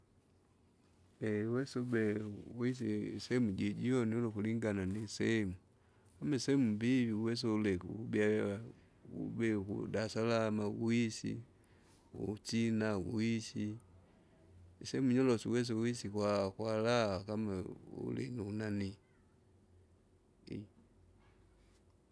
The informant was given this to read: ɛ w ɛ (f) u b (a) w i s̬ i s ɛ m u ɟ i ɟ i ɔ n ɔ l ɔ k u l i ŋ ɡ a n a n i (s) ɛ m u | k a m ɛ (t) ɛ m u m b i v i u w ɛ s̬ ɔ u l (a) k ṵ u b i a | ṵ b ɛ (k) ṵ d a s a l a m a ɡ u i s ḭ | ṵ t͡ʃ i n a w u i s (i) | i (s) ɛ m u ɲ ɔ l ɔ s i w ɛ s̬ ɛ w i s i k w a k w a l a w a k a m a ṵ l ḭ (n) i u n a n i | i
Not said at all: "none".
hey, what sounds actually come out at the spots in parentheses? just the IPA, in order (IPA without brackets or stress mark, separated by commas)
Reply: s, ɛ, s, s, ɛ, k, i, s, n